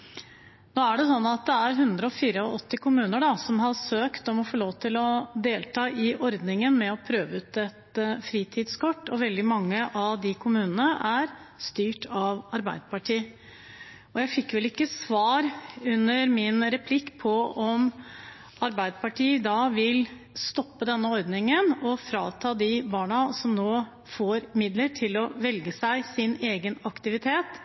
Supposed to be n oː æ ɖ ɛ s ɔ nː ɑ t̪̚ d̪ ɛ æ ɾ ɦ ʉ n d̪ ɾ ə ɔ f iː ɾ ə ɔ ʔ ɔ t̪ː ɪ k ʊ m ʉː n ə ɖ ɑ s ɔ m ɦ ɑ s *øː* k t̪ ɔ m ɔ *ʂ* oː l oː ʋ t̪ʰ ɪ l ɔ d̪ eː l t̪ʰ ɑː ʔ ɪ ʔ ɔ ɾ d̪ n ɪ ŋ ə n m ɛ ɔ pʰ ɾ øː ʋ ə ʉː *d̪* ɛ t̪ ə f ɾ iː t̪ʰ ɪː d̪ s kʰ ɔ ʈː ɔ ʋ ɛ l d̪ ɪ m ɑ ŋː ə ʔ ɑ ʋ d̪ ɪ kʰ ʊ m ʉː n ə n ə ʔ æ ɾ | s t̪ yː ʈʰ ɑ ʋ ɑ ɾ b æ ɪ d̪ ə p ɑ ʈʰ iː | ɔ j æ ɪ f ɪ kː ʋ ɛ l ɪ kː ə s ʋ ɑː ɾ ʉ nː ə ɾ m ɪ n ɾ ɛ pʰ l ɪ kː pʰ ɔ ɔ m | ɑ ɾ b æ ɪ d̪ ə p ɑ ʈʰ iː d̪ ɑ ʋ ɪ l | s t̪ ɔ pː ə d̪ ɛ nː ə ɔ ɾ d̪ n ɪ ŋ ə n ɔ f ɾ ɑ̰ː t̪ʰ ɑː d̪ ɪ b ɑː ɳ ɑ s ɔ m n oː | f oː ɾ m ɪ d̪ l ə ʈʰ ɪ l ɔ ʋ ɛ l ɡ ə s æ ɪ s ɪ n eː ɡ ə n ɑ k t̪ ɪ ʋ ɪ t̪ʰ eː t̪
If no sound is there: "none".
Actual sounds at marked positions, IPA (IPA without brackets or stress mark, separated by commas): øː, f, t̪